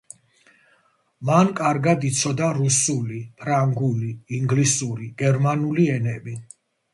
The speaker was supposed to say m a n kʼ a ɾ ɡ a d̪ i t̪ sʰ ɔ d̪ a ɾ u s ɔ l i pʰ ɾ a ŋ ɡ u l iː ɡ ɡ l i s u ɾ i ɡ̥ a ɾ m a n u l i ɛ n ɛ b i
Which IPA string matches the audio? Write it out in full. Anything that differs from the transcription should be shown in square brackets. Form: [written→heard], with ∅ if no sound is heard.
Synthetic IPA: m a n kʼ a ɾ ɡ a d̪ i t̪ sʰ ɔ d̪ a ɾ u s [ɔ→u] l i pʰ ɾ a ŋ ɡ u l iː [ɡ→ŋ] ɡ l i s u ɾ i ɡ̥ [a→ɛ] ɾ m a n u l i ɛ n ɛ b i